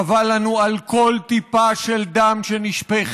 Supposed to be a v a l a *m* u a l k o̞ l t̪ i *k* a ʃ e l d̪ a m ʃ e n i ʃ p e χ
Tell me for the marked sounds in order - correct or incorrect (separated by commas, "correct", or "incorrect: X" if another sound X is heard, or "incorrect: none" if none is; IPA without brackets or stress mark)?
incorrect: n, incorrect: p